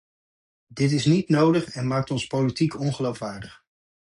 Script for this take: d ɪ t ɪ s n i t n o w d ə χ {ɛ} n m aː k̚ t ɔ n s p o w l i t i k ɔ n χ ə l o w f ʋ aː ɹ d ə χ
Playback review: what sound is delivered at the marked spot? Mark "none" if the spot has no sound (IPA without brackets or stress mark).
ɛ